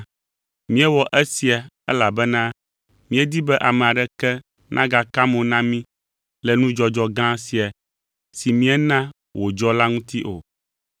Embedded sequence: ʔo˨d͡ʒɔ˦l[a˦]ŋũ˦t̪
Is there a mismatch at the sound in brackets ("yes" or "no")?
no